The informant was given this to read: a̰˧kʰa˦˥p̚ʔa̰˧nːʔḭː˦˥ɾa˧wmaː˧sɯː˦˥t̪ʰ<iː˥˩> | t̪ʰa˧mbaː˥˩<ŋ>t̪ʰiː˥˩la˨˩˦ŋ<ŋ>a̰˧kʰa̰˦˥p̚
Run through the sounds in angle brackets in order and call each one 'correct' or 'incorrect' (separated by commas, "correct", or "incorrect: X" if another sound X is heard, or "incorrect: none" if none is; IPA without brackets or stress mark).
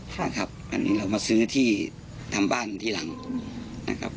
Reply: correct, incorrect: n, incorrect: n